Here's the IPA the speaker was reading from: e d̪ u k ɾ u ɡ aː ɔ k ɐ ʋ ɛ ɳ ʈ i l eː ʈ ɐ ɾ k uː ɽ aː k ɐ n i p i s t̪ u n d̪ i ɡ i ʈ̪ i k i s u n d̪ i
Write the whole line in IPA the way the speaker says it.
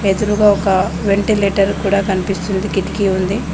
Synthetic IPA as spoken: e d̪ u ɾ u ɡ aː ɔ k ɐ ʋ e ɳ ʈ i l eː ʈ ɐ ɾ k uː ɽ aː k ɐ n i p i s t̪ u n d̪ i k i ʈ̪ i k i u n d̪ i